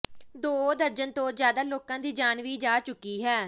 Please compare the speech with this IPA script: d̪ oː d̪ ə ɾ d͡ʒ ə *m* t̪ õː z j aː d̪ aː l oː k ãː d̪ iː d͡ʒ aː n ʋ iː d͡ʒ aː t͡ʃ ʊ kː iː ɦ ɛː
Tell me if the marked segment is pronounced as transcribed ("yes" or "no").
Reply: no